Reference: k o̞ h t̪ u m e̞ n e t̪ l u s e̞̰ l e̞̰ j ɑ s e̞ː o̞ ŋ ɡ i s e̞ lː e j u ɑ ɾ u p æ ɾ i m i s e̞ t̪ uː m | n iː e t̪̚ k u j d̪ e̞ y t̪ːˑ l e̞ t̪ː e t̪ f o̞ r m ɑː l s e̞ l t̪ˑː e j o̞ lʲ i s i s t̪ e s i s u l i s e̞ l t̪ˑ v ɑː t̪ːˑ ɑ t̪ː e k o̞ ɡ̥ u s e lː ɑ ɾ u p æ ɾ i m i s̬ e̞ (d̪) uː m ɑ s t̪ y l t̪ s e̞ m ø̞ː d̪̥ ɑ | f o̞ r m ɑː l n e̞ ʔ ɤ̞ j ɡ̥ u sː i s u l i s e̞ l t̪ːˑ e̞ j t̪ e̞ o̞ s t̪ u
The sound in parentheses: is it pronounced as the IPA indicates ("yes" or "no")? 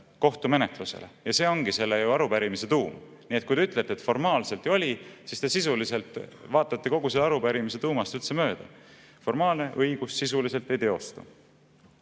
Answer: no